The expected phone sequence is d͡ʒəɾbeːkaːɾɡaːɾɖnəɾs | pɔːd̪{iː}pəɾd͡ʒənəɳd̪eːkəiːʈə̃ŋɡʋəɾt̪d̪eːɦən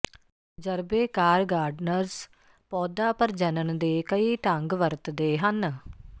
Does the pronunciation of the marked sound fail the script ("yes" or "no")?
yes